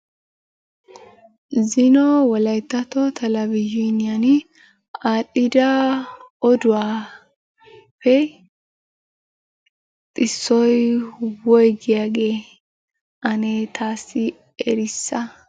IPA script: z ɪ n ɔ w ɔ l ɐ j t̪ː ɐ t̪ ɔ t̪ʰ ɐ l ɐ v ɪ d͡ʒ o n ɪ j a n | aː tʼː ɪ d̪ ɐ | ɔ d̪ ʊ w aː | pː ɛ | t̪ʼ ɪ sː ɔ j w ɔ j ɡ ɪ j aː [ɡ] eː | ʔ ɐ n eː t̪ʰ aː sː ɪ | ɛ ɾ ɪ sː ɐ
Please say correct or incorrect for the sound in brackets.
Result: correct